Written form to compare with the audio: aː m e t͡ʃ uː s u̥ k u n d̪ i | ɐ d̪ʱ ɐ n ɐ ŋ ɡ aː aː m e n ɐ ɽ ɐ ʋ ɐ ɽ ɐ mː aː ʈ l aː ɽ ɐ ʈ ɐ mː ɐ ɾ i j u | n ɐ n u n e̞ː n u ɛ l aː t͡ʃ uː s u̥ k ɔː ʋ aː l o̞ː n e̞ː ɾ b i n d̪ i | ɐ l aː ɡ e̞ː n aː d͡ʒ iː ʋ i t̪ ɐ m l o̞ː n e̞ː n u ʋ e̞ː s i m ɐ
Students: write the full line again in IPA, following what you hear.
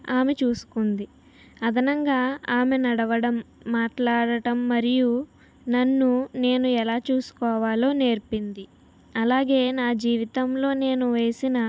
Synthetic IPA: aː m e t͡ʃ uː s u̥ k u n d̪ i | ɐ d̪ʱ ɐ n ɐ ŋ ɡ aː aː m e n ɐ ɽ ɐ ʋ ɐ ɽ ɐ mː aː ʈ l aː ɽ ɐ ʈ ɐ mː ɐ ɾ i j u | n ɐ nː u n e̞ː n u ɛ l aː t͡ʃ uː s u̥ k ɔː ʋ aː l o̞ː n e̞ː ɾ p i n d̪ i | ɐ l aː ɡ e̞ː n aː d͡ʒ iː ʋ i t̪ ɐ m l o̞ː n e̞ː n u ʋ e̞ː s i n ɐ